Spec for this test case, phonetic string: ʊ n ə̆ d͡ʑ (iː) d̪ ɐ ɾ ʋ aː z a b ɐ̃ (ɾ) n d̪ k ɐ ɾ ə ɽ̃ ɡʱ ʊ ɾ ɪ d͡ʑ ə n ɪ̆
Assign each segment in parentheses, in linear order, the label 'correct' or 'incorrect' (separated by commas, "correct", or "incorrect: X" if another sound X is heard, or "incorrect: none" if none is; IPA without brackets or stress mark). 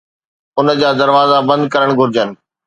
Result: incorrect: aː, incorrect: none